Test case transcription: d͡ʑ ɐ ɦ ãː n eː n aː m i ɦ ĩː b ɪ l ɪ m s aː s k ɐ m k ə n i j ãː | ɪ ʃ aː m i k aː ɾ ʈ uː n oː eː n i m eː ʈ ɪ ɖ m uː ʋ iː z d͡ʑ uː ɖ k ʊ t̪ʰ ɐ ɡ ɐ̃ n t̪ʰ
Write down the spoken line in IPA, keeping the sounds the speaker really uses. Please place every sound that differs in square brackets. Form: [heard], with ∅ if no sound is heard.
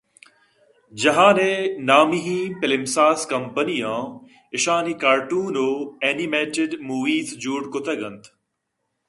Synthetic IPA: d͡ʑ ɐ ɦ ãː n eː n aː m i ɦ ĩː [p] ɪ l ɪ m s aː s k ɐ m [p] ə n i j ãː | ɪ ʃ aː [n] i k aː ɾ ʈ uː n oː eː n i m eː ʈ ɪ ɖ m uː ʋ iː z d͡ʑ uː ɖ k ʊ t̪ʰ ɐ ɡ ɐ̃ n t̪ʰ